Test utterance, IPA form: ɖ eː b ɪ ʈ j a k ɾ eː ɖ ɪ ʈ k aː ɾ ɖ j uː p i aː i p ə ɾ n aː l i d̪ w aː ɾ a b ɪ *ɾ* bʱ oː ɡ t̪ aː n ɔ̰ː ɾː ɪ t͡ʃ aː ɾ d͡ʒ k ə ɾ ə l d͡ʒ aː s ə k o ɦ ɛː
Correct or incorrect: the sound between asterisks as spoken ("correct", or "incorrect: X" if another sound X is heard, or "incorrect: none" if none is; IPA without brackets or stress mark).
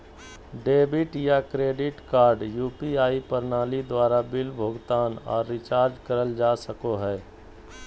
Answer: incorrect: l